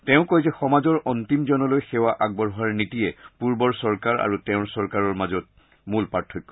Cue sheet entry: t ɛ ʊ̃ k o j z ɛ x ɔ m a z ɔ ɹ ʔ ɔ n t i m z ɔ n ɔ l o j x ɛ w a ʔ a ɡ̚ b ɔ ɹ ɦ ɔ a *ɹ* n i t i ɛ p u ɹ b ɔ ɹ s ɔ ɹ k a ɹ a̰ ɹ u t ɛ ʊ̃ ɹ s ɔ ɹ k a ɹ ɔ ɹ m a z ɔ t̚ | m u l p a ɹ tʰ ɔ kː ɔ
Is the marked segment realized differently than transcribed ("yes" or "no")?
no